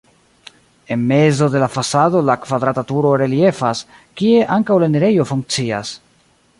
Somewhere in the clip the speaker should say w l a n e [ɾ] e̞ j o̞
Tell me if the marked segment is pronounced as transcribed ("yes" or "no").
yes